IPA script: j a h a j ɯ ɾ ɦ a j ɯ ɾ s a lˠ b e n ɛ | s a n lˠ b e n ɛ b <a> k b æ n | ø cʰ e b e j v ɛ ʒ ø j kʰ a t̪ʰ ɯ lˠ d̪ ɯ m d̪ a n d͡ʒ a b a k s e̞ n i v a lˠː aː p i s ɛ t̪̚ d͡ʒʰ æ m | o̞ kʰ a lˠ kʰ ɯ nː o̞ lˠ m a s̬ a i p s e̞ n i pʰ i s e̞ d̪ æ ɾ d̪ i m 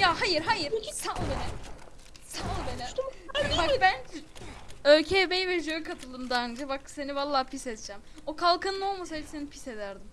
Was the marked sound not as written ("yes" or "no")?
no